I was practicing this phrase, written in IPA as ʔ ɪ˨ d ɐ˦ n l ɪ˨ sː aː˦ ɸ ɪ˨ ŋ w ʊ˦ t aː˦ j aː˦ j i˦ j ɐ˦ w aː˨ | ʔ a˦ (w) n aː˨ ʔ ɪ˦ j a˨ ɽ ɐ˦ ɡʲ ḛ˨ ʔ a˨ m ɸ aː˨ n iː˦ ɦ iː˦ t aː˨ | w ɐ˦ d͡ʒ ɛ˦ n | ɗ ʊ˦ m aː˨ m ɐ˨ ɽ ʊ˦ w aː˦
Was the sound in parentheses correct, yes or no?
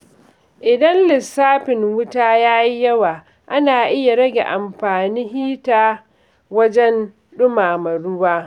no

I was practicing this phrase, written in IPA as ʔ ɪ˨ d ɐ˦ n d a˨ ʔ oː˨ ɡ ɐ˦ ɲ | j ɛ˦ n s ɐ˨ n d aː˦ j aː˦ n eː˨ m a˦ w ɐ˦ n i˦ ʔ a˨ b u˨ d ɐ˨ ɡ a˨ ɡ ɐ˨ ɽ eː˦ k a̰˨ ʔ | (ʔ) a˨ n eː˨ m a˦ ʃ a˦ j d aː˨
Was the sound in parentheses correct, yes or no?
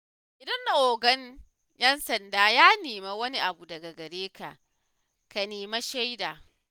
no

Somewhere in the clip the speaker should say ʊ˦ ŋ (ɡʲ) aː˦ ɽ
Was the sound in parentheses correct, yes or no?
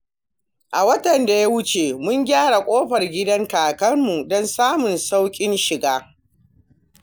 yes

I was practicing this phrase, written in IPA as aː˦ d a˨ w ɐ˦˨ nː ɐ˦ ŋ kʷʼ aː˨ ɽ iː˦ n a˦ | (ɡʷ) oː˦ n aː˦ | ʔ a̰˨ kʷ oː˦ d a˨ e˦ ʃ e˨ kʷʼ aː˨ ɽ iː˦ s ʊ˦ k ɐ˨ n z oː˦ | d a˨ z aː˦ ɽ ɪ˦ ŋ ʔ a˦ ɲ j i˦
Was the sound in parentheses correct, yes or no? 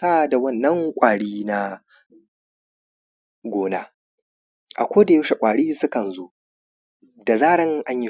yes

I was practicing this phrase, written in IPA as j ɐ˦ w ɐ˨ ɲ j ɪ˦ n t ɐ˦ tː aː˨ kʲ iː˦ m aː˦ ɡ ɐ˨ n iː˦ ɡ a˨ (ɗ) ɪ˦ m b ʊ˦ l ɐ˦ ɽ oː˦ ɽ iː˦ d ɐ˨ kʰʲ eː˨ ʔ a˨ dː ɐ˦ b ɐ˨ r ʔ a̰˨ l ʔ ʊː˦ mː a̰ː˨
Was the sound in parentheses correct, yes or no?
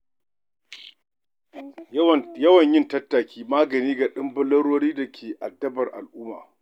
yes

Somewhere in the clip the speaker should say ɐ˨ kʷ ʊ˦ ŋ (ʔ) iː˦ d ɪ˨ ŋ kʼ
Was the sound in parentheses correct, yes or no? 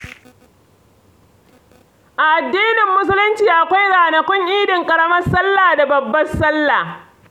yes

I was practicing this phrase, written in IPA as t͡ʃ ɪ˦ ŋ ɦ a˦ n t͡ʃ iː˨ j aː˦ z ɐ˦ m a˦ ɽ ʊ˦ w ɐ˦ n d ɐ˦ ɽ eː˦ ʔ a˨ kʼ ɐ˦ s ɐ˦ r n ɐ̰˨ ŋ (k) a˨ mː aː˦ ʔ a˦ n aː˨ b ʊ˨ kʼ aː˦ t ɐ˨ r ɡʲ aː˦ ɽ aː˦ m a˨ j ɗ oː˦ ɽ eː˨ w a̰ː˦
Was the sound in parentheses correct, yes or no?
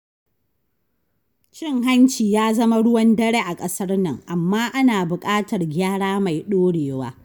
no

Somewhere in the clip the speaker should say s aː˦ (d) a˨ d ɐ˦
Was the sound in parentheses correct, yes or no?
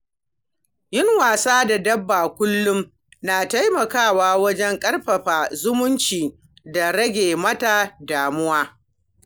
yes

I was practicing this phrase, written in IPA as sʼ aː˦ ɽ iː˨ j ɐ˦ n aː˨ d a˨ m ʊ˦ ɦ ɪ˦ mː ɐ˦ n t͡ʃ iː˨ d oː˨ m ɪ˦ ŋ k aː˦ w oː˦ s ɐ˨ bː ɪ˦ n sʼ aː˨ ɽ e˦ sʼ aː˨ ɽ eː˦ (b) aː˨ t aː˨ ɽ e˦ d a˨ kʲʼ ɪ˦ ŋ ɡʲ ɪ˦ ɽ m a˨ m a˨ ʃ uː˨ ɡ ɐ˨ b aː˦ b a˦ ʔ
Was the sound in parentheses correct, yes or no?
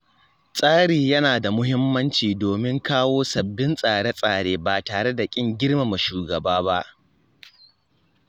yes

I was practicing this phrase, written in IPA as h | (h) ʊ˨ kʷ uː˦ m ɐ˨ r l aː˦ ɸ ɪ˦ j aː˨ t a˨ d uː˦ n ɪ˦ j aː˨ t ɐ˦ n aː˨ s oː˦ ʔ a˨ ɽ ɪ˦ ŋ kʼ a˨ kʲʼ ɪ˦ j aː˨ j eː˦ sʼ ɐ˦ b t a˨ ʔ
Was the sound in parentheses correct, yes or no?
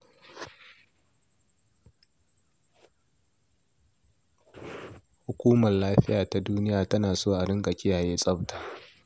yes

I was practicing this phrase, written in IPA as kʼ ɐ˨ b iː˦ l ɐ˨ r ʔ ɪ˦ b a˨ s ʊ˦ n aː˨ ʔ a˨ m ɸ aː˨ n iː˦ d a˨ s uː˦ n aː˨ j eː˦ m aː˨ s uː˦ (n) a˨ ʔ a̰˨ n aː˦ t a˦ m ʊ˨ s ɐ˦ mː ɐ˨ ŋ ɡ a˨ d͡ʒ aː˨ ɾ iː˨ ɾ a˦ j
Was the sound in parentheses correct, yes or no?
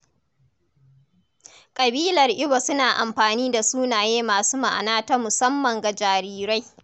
no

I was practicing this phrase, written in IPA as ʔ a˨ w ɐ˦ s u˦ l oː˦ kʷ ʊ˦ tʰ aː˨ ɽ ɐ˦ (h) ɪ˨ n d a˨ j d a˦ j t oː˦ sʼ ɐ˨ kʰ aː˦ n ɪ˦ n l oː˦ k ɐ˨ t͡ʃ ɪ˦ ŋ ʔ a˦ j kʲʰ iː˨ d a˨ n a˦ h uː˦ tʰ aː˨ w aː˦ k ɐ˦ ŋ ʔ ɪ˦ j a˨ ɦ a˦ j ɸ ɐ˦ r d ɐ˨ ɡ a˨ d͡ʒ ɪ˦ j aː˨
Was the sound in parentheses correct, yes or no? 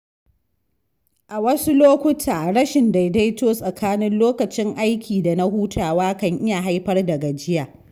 no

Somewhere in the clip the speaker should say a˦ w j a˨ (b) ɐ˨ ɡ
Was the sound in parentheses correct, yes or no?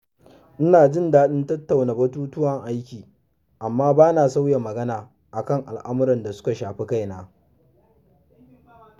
no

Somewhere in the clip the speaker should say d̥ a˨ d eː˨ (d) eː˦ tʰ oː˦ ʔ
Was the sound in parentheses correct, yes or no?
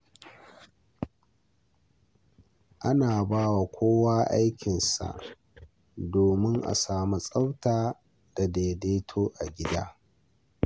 yes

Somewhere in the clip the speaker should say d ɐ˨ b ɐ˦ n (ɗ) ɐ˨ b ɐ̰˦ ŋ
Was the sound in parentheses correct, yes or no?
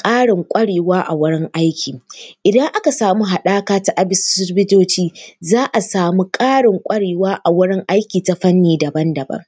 no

